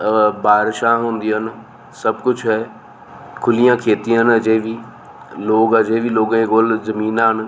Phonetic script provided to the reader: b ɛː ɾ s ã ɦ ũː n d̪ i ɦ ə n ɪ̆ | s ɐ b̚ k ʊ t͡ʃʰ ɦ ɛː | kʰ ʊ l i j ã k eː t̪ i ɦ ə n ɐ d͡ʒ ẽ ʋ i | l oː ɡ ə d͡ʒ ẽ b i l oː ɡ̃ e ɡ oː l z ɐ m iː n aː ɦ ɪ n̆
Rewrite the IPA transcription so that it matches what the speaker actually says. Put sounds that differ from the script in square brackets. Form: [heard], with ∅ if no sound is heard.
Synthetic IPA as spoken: b [aː] ɾ [ʃ] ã ɦ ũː n d̪ i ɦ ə n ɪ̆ | s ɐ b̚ k ʊ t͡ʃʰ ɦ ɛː | kʰ ʊ l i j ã [kʰ] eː t̪ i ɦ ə n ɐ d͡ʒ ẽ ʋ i | l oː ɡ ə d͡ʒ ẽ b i l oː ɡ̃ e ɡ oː l z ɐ m iː n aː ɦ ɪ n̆